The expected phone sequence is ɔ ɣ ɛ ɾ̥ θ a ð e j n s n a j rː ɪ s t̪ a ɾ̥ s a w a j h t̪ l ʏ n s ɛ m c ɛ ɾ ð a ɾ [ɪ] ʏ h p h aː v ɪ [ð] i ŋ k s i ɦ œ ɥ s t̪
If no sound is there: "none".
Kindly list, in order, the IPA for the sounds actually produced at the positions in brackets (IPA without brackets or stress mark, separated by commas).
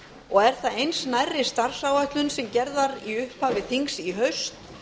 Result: i, θ